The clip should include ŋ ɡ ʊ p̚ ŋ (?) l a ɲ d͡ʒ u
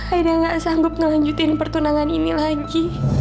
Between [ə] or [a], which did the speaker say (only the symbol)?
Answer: ə